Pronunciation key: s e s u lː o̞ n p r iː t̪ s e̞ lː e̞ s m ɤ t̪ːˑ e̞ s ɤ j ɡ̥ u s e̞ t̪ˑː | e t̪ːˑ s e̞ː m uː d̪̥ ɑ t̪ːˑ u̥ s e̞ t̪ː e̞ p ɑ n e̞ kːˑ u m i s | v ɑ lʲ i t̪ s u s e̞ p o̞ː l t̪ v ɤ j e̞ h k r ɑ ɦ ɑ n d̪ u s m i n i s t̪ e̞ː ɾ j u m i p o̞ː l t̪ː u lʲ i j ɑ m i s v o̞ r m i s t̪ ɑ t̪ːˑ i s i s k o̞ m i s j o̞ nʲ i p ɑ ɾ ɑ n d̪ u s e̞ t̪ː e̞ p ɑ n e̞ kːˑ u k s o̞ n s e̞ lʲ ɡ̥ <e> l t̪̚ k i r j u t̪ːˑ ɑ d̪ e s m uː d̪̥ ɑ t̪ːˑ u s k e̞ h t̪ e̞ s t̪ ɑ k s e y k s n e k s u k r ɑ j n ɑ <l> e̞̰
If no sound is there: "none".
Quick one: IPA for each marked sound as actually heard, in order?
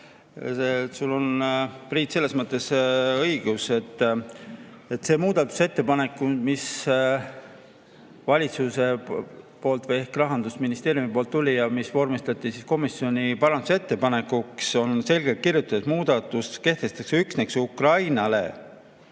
e, l

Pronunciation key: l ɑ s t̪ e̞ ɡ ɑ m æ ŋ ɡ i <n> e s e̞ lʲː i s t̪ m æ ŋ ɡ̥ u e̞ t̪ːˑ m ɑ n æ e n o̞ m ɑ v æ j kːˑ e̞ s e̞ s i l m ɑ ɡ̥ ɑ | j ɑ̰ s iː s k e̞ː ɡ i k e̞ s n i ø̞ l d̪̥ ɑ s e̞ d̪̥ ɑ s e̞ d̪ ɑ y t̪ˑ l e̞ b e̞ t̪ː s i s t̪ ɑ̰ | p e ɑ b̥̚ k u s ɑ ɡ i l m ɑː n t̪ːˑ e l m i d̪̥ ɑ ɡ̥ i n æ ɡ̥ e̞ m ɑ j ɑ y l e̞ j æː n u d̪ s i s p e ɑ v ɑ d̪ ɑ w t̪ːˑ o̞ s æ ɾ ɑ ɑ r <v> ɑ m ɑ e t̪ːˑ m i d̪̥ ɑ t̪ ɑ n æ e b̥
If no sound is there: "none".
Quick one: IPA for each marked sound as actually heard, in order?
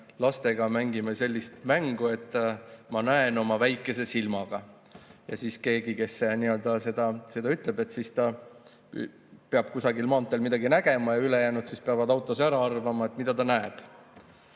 m, v

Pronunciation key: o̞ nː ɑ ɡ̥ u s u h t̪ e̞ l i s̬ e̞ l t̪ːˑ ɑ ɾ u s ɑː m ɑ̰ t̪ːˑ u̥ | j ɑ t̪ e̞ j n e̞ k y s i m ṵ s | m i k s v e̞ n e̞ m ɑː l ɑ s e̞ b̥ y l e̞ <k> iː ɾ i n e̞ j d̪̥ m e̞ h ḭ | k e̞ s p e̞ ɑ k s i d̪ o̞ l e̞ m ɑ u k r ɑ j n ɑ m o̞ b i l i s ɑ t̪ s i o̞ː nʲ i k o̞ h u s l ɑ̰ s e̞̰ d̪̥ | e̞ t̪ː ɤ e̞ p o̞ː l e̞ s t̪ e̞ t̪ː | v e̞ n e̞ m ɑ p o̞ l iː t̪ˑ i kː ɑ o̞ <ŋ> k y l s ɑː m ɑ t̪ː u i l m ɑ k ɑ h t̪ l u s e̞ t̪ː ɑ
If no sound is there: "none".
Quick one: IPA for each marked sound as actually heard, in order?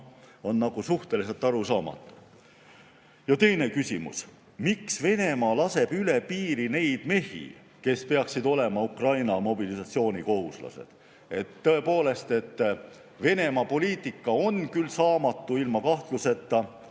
p, n

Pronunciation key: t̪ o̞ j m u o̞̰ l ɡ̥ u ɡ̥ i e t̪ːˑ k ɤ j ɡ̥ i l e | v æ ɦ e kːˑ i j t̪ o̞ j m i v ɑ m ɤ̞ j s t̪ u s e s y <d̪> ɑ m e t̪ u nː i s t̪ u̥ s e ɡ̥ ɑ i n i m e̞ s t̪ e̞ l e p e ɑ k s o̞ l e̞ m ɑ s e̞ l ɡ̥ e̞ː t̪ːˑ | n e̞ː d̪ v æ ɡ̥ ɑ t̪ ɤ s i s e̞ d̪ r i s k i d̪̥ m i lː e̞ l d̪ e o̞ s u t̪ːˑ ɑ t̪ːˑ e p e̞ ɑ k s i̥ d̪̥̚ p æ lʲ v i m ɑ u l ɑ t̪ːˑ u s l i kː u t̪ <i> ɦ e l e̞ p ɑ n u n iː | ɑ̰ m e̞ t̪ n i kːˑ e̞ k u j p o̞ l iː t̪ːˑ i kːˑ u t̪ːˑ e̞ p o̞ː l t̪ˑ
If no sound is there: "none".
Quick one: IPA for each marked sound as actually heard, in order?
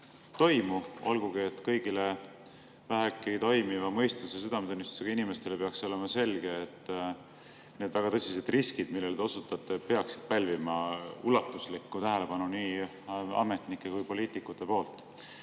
d̪, æ

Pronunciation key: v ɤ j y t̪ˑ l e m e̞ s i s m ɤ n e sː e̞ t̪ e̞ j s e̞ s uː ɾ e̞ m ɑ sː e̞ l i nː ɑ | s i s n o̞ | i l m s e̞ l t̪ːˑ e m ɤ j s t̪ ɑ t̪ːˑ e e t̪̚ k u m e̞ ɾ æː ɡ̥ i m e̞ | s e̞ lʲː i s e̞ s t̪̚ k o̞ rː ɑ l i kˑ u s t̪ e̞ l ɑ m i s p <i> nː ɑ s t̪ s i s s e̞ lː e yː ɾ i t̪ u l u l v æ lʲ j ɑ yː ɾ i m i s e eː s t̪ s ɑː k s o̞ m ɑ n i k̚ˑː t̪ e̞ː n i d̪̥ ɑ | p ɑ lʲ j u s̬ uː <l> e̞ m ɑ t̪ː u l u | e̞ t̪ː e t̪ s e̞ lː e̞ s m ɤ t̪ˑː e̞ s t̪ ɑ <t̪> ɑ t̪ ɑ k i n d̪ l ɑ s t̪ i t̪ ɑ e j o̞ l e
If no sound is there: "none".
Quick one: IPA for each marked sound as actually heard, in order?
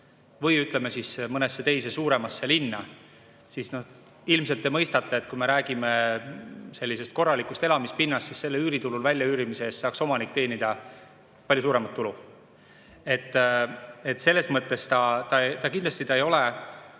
i, ɾ, t̪

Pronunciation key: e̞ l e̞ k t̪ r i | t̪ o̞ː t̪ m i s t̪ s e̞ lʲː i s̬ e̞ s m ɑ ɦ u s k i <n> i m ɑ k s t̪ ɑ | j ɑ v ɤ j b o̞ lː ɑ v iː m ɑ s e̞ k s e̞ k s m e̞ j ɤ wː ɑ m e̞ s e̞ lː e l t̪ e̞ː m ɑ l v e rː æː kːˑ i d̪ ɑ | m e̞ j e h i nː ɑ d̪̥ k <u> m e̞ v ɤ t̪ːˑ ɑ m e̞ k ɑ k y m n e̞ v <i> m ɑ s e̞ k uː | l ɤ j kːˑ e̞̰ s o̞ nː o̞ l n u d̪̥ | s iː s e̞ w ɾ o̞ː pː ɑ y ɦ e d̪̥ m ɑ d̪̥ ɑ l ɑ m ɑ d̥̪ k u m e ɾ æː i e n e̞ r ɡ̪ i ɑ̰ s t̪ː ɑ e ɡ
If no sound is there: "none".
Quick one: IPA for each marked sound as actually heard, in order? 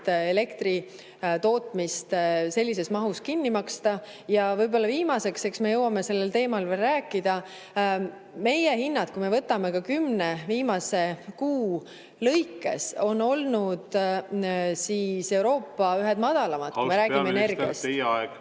nː, u, iː

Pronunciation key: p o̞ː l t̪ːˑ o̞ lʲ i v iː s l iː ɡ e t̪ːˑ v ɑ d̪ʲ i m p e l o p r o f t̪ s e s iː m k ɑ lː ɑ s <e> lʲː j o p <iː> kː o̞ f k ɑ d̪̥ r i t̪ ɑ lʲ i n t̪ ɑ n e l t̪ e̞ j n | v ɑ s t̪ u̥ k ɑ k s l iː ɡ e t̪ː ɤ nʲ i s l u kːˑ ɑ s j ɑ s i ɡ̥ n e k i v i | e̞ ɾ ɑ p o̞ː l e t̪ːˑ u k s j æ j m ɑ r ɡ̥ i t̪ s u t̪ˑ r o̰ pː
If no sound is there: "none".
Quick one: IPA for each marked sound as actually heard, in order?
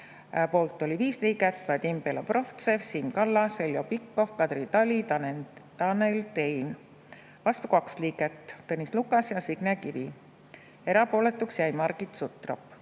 e, i

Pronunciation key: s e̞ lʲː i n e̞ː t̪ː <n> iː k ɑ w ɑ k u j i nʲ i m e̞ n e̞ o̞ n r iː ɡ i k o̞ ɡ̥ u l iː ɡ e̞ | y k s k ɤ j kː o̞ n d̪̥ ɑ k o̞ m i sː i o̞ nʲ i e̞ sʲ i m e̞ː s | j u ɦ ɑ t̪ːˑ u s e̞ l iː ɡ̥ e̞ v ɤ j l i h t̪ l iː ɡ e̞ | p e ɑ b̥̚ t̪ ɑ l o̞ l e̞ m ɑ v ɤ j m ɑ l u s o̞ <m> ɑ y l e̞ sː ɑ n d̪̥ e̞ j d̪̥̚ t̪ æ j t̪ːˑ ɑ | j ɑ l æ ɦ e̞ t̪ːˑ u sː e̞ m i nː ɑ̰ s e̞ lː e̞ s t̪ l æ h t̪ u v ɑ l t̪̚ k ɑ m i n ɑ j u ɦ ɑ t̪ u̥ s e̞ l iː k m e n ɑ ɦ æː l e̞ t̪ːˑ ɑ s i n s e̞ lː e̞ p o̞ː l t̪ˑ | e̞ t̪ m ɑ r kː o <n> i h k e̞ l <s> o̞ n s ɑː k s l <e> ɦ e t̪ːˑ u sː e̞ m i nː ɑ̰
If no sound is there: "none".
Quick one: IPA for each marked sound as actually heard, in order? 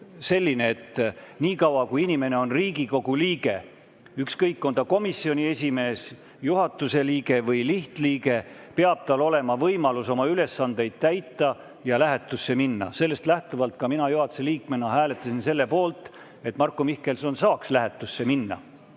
n, m, m, s, æ

